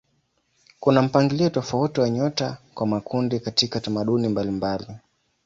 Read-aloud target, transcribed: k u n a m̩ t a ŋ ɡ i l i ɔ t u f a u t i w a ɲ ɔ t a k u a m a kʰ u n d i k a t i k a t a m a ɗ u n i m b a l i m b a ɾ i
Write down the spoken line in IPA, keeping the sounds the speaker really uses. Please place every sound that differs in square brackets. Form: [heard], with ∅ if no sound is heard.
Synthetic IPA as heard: k u n a m̩ [p] a ŋ ɡ i l i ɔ t [ɔ] f a u t i w a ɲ ɔ t a k [w] a m a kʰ u n d i k a t i k a t a m a ɗ u n i m b a l i m b a [l] i

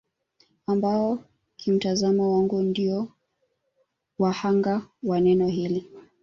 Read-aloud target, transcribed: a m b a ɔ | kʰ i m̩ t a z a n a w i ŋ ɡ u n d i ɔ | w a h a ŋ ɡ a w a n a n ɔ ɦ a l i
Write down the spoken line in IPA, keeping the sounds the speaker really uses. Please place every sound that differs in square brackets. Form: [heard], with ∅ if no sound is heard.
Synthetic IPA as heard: a m b a ɔ | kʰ i m̩ t a z a [m] a w [a] ŋ ɡ u n d i ɔ | w a h a ŋ ɡ a w a n [ɛ] n ɔ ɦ [i] l i

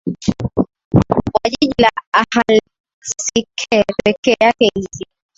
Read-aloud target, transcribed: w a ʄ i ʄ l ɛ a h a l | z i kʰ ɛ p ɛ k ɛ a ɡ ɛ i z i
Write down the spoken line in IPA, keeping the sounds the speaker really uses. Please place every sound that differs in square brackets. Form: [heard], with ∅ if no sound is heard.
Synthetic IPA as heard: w a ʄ i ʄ l [a] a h a l | [s] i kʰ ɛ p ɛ k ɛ a [k] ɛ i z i

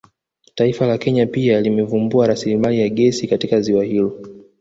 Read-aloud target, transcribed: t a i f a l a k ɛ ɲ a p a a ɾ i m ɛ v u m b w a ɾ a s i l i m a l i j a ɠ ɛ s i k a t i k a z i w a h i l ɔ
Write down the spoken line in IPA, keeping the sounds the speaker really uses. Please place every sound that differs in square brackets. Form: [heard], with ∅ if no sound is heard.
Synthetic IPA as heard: t a i f a l a k ɛ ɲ a p [i] a [l] i m ɛ v u m b [u] a ɾ a s i l i m a l i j a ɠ ɛ s i k a t i k a z i w a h i l ɔ

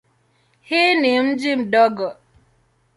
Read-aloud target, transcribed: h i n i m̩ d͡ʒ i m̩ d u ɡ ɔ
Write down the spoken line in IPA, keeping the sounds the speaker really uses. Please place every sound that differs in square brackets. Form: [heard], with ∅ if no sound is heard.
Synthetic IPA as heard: h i n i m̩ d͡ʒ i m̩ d [ɔ] ɡ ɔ

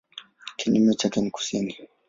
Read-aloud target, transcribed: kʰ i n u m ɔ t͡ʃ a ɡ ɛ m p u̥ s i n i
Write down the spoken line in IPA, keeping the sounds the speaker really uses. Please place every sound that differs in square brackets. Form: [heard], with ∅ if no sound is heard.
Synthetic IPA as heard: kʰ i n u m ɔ t͡ʃ a [k] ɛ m [k] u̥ s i n i

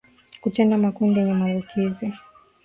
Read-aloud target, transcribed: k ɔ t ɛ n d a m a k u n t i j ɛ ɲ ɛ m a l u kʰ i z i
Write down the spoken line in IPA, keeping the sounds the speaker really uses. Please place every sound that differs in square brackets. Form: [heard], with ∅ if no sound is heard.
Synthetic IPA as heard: k [u] t ɛ n d a m a k u n [d] i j ɛ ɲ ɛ m a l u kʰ i z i

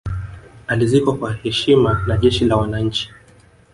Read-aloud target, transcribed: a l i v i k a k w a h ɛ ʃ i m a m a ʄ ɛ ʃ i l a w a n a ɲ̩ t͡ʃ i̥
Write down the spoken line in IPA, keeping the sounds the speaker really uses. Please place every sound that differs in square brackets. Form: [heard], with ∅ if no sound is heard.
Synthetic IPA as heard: a l i [z] i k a k w a h ɛ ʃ i m a [n] a ʄ ɛ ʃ i l a w a n a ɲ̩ t͡ʃ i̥

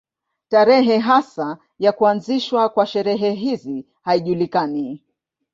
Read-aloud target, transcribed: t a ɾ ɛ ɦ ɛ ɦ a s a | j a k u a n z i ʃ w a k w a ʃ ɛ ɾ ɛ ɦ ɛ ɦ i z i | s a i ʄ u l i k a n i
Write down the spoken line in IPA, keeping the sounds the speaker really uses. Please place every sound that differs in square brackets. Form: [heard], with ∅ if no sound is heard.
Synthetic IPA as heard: t a ɾ ɛ ɦ ɛ ɦ a s a | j a k u a n z i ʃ w a k w a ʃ ɛ ɾ ɛ ɦ ɛ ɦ i z i | [h] a i ʄ u l i k a n i

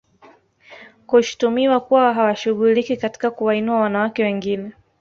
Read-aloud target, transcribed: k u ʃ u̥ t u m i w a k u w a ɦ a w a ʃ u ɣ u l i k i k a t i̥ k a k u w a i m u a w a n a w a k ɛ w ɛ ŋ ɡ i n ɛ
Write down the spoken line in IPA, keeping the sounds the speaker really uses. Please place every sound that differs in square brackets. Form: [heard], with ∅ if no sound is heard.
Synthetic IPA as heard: k u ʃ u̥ t u m i w a k u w a ɦ a w a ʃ u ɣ u l i k i k a t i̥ k a k u w a i [n] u a w a n a w a k ɛ w ɛ ŋ ɡ i n ɛ

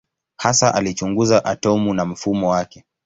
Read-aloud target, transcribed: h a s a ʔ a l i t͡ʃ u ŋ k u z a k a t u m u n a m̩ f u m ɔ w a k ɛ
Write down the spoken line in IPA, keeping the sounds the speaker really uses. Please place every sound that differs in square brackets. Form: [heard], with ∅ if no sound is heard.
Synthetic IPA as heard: h a s a ʔ a l i t͡ʃ u ŋ [ɡ] u z a [ʔ] a t [ɔ] m u n a m̩ f u m ɔ w a k ɛ

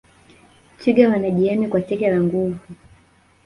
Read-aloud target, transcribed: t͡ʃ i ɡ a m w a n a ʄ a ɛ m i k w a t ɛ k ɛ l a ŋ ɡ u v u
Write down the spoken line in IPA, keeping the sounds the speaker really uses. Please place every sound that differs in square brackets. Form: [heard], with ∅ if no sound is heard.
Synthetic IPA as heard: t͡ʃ i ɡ a [∅] w a n a ʄ [i] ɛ m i k w a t ɛ k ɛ l a ŋ ɡ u v u

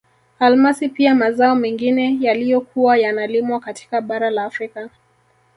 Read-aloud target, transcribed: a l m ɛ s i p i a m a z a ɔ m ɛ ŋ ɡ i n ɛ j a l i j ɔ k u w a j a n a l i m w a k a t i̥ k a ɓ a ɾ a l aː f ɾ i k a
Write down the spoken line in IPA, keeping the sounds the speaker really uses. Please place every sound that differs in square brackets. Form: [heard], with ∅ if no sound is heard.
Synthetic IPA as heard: a l m [a] s i p i a m a z a ɔ m ɛ ŋ ɡ i n ɛ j a l i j ɔ k u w a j a n a l i m w a k a t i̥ k a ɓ a ɾ a l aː f ɾ i k a

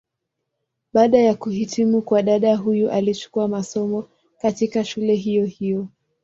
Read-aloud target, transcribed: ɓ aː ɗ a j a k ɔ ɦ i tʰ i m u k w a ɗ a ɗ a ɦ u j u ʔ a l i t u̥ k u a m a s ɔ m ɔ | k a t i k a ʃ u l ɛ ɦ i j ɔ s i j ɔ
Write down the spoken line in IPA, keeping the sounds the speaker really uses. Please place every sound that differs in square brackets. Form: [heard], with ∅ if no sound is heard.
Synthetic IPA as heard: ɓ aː ɗ a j a k [u] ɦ i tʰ i m u k w a ɗ a ɗ a ɦ u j u ʔ a l i [t͡ʃ] u̥ k u a m a s ɔ m ɔ | k a t i k a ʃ u l ɛ ɦ i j ɔ [h] i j ɔ

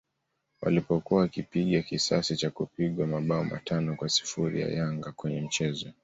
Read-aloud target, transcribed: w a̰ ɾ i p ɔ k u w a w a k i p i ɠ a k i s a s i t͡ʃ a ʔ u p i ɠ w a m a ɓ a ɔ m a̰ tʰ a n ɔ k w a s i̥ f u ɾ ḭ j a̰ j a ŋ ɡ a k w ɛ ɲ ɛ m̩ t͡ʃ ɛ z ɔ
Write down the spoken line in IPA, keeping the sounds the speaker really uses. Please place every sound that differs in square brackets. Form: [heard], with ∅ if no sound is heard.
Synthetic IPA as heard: w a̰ [l] i p ɔ k u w a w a k i p i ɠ a k i s a s i t͡ʃ a [k] u p i ɠ w a m a ɓ a ɔ m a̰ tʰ a n ɔ k w a s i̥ f u ɾ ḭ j a̰ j a ŋ ɡ a k w ɛ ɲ ɛ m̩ t͡ʃ ɛ z ɔ

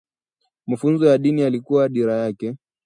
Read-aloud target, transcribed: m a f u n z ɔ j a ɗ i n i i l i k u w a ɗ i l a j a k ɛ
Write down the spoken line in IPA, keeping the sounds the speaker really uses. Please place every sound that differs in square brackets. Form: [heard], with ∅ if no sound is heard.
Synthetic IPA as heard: m a f u n z ɔ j a ɗ i n i [a] l i k u w a ɗ i [ɾ] a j a k ɛ

